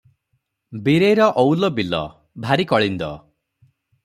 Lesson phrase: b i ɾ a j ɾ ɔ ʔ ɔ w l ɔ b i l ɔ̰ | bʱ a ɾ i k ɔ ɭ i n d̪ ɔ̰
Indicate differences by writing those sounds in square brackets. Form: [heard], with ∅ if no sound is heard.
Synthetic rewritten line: b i ɾ [e] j ɾ ɔ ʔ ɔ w l ɔ b i l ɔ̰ | bʱ a ɾ i k ɔ ɭ i n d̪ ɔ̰